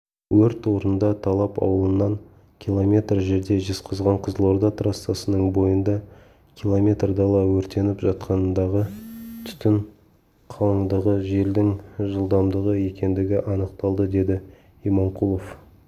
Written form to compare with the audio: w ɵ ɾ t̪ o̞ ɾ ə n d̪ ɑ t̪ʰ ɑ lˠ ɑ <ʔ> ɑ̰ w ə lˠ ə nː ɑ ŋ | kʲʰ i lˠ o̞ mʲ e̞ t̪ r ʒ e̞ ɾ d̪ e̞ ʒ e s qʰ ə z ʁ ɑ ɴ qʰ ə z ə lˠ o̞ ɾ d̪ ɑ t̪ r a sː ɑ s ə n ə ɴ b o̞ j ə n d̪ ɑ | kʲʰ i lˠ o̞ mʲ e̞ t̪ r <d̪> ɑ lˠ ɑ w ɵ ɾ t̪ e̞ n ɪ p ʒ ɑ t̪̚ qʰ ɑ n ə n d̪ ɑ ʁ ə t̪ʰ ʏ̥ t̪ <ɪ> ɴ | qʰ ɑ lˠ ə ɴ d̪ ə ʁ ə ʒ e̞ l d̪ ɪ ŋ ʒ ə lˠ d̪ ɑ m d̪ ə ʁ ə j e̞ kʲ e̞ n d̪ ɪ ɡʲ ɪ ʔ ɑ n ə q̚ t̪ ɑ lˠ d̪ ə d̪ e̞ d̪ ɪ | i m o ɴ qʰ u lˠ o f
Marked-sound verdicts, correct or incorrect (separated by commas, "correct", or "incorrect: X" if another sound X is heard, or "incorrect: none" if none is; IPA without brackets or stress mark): incorrect: p, correct, correct